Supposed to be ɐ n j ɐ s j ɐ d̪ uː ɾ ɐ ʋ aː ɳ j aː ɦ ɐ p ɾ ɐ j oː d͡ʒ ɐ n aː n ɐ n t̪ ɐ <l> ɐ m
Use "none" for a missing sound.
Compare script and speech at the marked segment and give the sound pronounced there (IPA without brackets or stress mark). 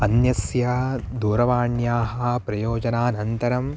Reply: ɾ